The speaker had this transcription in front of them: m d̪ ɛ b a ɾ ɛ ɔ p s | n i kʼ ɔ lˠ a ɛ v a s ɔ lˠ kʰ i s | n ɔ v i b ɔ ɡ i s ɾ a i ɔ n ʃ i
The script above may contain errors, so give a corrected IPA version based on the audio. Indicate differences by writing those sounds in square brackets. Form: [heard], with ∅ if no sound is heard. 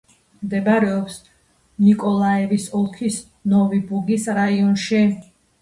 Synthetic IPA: m d̪ ɛ b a ɾ ɛ ɔ p s | n i kʼ ɔ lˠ a ɛ v [i] s ɔ lˠ kʰ i s | n ɔ v i b [u] ɡ i s ɾ a i ɔ n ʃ i